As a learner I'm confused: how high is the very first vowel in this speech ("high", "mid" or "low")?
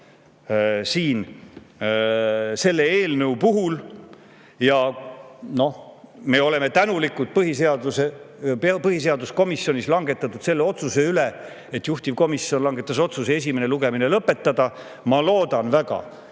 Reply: high